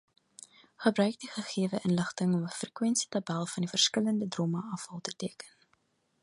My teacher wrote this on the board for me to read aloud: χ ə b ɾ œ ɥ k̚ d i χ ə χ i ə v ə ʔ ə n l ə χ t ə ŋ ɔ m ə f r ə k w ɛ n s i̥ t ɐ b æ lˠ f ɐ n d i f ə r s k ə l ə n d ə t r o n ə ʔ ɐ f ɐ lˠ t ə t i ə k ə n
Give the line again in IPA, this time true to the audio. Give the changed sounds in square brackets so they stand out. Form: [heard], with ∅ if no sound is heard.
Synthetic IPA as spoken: χ ə b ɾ œ ɥ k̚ d i χ ə χ i ə v ə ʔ ə n l ə χ t ə ŋ ɔ m ə f r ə k w ɛ n s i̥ t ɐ b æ lˠ f ɐ n d i f ə r s k ə l ə n d ə [d] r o [m] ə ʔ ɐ f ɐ lˠ t ə t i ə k ə n